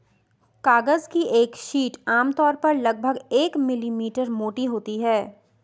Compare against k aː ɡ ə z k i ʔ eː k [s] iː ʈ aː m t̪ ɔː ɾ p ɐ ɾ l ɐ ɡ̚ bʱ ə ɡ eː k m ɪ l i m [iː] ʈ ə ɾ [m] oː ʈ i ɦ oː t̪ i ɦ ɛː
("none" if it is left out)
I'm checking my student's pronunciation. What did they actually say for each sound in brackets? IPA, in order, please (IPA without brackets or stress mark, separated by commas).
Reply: ʃ, iː, m